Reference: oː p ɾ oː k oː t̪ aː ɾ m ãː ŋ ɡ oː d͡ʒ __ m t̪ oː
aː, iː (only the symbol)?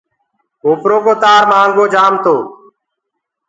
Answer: aː